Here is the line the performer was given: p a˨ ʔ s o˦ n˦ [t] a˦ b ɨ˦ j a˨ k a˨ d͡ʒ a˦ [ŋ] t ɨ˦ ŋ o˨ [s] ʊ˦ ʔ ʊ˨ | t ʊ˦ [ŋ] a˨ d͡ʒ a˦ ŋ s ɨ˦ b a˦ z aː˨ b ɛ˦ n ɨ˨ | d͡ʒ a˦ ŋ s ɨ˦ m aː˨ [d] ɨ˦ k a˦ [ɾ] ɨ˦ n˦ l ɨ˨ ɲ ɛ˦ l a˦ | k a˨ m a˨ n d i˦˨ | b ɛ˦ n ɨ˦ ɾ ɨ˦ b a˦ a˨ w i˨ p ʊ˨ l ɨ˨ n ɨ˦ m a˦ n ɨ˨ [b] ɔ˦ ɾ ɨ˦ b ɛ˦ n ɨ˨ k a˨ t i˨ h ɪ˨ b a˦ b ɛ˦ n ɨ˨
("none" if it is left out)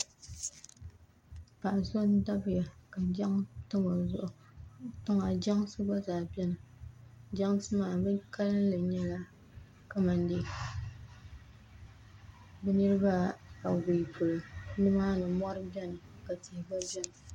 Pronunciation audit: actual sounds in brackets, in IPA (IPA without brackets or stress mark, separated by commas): d, ŋ, z, ŋ, b, l, m